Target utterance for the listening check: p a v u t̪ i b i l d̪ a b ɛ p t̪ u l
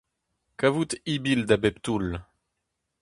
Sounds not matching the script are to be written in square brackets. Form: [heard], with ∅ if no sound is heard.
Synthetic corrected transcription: [k] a v u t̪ i b i l d̪ a b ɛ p t̪ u l